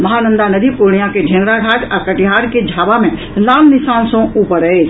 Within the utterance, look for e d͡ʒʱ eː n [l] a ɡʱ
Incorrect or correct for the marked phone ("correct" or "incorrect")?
incorrect